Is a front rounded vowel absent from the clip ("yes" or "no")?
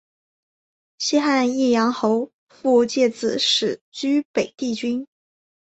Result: no